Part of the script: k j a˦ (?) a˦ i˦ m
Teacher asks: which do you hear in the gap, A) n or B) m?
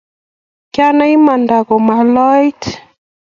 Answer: A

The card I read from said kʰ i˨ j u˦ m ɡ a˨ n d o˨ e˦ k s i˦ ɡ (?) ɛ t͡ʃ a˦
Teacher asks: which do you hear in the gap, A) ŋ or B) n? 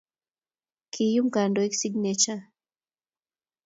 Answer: B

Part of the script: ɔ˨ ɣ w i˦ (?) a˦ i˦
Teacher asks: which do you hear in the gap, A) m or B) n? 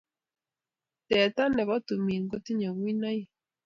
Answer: B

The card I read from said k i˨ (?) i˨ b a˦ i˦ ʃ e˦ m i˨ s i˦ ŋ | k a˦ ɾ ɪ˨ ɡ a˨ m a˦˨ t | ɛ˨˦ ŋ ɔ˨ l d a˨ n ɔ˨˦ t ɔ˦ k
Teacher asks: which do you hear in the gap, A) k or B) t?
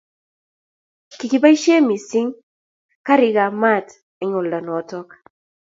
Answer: A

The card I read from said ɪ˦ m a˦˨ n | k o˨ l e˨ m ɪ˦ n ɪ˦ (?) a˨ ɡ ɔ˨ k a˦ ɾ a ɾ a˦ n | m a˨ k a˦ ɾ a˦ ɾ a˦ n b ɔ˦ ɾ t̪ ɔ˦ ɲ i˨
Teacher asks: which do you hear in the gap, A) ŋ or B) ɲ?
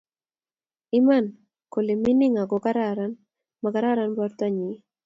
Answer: A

